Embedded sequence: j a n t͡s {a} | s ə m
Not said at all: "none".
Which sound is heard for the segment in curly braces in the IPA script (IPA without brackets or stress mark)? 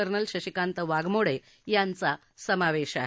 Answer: a